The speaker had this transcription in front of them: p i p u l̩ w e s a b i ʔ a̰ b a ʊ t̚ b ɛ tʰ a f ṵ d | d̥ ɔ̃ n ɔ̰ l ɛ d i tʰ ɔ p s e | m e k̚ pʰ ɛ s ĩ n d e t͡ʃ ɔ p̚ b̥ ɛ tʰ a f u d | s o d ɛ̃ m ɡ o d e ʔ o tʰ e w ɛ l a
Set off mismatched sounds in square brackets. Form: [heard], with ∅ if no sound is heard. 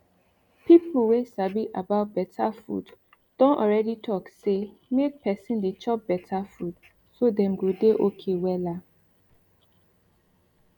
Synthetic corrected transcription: p i p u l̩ w e s a b i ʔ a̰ b a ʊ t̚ b ɛ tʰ a f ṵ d | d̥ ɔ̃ n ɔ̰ [ɹ] ɛ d i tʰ ɔ [k] s e | m e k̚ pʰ ɛ s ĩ n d e t͡ʃ ɔ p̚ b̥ ɛ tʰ a f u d | s o d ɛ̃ m ɡ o d e ʔ o [kʰ] e w ɛ l a

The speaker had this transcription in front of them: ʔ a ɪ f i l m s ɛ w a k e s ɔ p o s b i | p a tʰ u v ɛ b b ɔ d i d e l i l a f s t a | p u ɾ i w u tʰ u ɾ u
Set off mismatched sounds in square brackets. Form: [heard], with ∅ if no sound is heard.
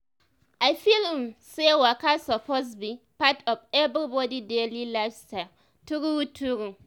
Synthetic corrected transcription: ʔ a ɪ f i l m s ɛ w a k [a] s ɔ p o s b i | p a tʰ [ɔ] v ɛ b b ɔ d i d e l i l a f s t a | [t] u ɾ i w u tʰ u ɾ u

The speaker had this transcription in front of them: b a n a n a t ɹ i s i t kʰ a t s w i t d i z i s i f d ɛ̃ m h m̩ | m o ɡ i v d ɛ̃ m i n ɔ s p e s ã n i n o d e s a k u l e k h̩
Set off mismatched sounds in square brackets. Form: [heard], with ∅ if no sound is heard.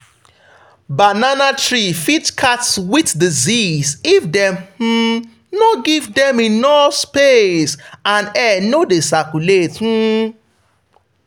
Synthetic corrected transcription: b a n a n a t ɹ i [f] i t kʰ a t s w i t d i z i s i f d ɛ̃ m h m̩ | [n] o ɡ i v d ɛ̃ m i n ɔ s p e s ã n [ɛ] n o d e s a k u l e [t] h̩

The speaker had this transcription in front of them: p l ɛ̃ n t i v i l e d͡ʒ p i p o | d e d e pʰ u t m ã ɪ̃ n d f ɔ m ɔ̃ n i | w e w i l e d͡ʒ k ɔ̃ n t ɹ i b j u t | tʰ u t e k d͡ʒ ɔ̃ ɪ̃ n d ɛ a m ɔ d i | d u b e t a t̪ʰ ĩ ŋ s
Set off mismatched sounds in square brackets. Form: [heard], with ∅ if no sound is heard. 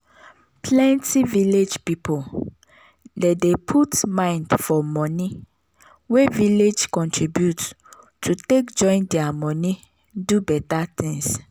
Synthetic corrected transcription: p l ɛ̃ n t i v i l e d͡ʒ p i p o | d e d e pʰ u t m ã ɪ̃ n d f ɔ m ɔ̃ n i | w e [v] i l e d͡ʒ k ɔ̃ n t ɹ i b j u t | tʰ u t e k d͡ʒ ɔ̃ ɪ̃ n d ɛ a m ɔ [n] i | d u b [ɛ] t a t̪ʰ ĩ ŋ s

